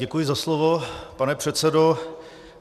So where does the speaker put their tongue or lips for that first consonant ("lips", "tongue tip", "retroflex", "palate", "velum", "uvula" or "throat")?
velum